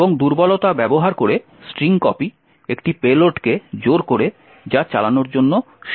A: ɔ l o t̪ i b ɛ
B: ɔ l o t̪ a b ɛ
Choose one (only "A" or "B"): B